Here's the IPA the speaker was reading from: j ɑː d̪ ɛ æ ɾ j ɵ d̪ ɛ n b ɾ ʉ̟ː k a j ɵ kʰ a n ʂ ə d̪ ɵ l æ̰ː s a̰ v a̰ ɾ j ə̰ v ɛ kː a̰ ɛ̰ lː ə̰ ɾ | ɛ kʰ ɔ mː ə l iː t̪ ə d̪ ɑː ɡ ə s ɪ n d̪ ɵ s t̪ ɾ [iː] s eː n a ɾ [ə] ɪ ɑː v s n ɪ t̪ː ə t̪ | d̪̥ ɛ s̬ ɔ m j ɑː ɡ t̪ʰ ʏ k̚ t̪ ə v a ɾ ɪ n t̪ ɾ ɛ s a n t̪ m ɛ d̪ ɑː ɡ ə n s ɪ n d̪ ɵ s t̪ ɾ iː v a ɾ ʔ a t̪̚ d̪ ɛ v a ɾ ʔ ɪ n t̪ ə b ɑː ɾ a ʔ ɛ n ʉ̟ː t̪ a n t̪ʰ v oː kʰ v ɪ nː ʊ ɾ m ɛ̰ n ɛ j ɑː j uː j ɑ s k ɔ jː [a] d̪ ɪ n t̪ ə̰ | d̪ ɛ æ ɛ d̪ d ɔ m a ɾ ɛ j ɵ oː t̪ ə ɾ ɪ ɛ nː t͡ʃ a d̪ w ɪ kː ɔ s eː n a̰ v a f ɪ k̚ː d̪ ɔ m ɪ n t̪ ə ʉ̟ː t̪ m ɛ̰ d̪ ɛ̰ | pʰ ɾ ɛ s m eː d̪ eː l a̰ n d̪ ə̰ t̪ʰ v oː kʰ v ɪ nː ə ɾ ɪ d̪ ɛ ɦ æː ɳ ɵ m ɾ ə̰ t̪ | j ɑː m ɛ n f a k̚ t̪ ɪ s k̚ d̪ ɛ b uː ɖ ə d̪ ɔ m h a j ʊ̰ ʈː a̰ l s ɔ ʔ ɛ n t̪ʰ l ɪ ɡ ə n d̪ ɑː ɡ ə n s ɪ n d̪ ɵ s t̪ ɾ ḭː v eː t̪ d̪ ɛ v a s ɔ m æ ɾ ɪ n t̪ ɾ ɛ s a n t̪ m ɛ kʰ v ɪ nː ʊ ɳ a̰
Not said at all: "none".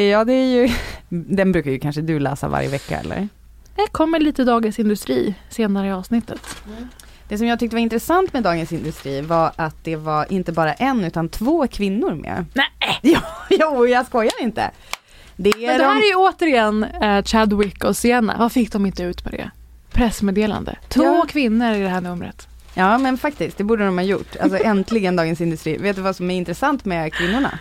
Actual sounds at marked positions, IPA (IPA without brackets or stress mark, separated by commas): iː, ə, a